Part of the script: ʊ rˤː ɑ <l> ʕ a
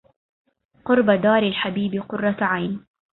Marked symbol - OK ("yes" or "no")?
no